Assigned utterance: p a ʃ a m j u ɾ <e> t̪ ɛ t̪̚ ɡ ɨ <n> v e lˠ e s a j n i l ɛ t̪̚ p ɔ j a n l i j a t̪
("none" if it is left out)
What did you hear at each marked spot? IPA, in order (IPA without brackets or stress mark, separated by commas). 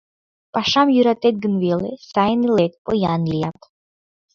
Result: a, n